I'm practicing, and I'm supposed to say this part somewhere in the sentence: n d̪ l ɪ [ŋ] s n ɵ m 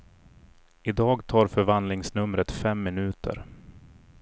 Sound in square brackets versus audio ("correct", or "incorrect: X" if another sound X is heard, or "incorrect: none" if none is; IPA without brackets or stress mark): correct